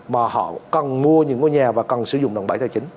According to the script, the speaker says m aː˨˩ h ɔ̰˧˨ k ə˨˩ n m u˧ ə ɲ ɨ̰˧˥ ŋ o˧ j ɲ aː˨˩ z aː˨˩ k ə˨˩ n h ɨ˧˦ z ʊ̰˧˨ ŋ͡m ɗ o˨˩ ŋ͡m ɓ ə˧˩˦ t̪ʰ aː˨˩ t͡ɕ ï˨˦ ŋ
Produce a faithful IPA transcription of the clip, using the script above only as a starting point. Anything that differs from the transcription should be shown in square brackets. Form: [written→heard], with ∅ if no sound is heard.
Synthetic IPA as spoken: m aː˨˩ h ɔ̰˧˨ k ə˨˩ n m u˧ ə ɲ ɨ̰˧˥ ŋ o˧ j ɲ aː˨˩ [z→v] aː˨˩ k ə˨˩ n [h→s] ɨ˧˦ z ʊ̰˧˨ ŋ͡m ɗ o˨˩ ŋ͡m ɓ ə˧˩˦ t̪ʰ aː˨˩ t͡ɕ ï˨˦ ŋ